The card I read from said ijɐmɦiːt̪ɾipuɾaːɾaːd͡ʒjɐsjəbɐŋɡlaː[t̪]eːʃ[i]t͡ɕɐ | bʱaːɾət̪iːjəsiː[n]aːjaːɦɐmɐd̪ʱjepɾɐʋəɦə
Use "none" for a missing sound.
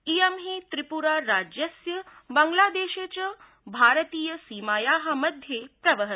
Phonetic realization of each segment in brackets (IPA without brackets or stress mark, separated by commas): d̪, e, m